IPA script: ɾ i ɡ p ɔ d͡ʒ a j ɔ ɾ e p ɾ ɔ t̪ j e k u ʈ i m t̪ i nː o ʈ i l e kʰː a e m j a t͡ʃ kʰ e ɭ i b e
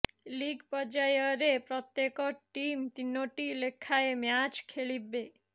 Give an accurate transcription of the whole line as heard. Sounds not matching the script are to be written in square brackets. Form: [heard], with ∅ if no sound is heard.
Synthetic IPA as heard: [l] i ɡ p ɔ d͡ʒ a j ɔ ɾ e p ɾ ɔ t̪ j e k [ɔ] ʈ i m t̪ i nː o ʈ i l e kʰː a e m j a t͡ʃ kʰ e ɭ i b e

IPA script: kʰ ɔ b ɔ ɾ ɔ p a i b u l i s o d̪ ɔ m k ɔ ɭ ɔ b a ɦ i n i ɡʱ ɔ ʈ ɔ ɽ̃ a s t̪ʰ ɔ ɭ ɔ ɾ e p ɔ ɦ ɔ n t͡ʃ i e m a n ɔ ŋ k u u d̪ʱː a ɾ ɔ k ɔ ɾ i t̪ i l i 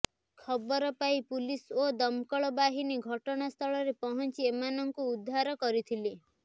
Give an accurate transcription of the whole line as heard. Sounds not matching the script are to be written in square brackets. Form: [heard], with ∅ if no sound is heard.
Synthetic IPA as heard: kʰ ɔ b ɔ ɾ ɔ p a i [p] u l i s o d̪ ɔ m k ɔ ɭ ɔ b a ɦ i n i ɡʱ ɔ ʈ ɔ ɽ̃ a s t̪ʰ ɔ ɭ ɔ ɾ e p ɔ ɦ ɔ n t͡ʃ i e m a n ɔ ŋ k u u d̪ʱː a ɾ ɔ k ɔ ɾ i [t̪ʰ] i l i

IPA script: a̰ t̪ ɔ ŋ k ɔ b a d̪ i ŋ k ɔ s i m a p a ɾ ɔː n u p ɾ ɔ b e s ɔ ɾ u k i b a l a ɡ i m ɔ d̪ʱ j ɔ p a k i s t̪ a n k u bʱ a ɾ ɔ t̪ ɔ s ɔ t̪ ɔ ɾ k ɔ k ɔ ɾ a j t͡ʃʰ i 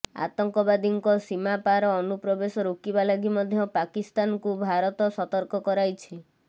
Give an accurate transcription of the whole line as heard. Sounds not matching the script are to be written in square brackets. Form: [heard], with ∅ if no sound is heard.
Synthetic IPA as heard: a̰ t̪ ɔ ŋ k ɔ b a d̪ i ŋ k ɔ s i m a p a ɾ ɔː n u p ɾ ɔ b e s ɔ ɾ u k i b a l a ɡ i m ɔ d̪ʱ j ɔ p a k i s t̪ a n k u bʱ a ɾ ɔ t̪ ɔ s ɔ t̪ ɔ ɾ k ɔ k ɔ ɾ a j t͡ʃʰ i

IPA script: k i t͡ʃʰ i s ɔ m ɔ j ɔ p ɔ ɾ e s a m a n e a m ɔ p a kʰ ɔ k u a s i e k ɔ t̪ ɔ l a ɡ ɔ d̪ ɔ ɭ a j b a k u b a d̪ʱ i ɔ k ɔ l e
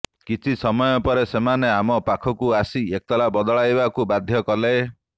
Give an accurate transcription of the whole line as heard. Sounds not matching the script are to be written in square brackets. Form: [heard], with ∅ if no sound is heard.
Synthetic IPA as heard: k i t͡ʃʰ i s ɔ m ɔ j ɔ p ɔ ɾ e s [e] m a n e a m ɔ p a kʰ ɔ k u a s i e k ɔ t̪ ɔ l a [b] ɔ d̪ ɔ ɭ a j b a k u b a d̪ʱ [j] ɔ k ɔ l e

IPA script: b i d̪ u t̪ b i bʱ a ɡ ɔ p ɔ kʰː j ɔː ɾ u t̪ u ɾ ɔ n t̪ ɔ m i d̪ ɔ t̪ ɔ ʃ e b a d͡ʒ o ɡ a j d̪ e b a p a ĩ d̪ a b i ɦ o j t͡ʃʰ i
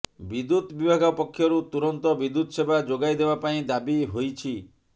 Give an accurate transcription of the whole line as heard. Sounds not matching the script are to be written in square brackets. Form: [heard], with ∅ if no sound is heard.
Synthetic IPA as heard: b i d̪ u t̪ b i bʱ a ɡ ɔ p ɔ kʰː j [ɔ] ɾ u t̪ u ɾ ɔ n t̪ ɔ [b] i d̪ [u] t̪ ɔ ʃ e b a d͡ʒ o ɡ a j d̪ e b a p a ĩ d̪ a b i ɦ o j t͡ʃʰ i

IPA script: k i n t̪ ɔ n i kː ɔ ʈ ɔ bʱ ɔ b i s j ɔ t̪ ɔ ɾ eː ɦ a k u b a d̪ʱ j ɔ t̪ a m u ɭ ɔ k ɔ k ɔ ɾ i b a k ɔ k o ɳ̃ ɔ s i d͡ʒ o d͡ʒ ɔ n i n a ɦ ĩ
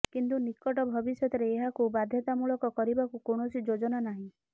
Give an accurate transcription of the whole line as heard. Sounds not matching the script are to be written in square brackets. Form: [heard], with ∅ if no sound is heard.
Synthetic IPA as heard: k i n t̪ [u] n i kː ɔ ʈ ɔ bʱ ɔ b i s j ɔ t̪ ɔ ɾ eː ɦ a k u b a d̪ʱ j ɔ t̪ a m u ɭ ɔ k ɔ k ɔ ɾ i b a k [u] k o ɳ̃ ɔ s i d͡ʒ o d͡ʒ ɔ n [a] n a ɦ ĩ

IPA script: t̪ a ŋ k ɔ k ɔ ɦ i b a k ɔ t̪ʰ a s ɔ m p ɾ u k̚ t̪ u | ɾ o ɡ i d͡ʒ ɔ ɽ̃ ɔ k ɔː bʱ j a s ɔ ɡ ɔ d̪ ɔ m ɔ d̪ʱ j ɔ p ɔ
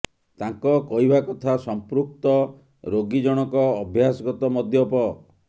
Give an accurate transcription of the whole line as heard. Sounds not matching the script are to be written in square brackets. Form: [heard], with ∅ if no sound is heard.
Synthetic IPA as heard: t̪ a ŋ k ɔ k ɔ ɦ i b a k ɔ t̪ʰ a s ɔ m p ɾ u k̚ t̪ [ɔ] | ɾ o ɡ i d͡ʒ ɔ ɽ̃ ɔ k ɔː bʱ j a s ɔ ɡ ɔ [t̪] ɔ m ɔ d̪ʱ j ɔ p ɔ

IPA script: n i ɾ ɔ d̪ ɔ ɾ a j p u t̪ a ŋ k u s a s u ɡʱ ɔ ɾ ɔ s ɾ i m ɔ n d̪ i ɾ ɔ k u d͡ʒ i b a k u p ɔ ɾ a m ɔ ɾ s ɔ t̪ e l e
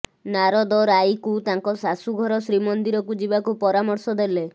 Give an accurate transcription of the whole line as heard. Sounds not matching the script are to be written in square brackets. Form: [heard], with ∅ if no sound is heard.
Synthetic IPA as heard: n [a] ɾ ɔ d̪ ɔ ɾ a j [k] u t̪ a ŋ k [ɔ] s a s u ɡʱ ɔ ɾ ɔ s ɾ i m ɔ n d̪ i ɾ ɔ k u d͡ʒ i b a k u p ɔ ɾ a m ɔ ɾ s ɔ [d̪] e l e

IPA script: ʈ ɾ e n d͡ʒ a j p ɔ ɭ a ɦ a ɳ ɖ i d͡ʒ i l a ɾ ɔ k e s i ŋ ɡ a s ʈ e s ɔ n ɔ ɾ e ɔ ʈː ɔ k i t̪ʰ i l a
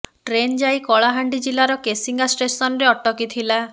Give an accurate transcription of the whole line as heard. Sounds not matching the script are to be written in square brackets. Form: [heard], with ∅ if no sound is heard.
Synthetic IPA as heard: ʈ ɾ e n d͡ʒ a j [k] ɔ ɭ a ɦ a ɳ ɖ i d͡ʒ i l a ɾ ɔ k e s i ŋ ɡ a s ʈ e s ɔ n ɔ ɾ e ɔ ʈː ɔ k i t̪ʰ i l a

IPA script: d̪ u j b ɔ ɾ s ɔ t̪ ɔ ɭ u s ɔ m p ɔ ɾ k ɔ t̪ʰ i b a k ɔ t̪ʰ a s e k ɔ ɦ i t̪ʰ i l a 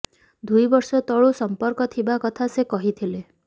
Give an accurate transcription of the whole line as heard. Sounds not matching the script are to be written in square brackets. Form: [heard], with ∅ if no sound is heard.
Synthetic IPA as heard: d̪ u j b ɔ ɾ s ɔ t̪ ɔ ɭ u s ɔ m p ɔ ɾ k ɔ t̪ʰ i b a k ɔ t̪ʰ a s e k ɔ ɦ i t̪ʰ i l [e]

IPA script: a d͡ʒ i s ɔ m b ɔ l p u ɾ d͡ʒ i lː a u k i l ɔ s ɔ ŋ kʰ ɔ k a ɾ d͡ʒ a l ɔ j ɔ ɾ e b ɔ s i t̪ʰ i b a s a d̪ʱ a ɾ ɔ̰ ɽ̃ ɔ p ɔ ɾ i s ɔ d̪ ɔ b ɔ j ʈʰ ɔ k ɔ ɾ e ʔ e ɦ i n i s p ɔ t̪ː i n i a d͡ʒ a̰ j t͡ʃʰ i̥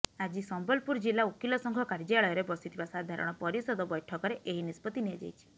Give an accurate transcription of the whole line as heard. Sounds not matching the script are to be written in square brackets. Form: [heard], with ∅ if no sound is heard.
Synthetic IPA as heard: a d͡ʒ i s ɔ m b ɔ l p u ɾ d͡ʒ i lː a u k i l ɔ s ɔ ŋ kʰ ɔ k a ɾ d͡ʒ a [ɭ] ɔ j ɔ ɾ e b ɔ s i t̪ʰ i b a s a d̪ʱ a ɾ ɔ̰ ɽ̃ ɔ p ɔ ɾ i s ɔ d̪ ɔ b ɔ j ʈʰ ɔ k ɔ ɾ e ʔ e ɦ i n i s p ɔ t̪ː i n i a d͡ʒ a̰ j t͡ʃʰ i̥

